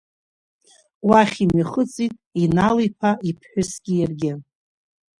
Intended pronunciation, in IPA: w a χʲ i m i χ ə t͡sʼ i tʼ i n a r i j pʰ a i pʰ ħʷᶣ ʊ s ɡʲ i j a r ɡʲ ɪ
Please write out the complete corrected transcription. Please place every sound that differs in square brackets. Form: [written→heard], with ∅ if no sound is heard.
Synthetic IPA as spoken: w a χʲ i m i χ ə t͡sʼ i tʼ i n a [r→l] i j pʰ a i pʰ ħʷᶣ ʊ s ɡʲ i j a r ɡʲ ɪ